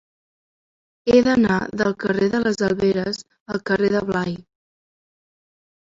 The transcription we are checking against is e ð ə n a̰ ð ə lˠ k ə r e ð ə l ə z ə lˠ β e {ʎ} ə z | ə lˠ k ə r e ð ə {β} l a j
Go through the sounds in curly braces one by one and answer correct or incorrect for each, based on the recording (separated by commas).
incorrect, correct